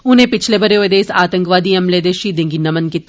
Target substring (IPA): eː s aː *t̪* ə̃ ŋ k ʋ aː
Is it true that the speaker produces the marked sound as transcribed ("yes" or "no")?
yes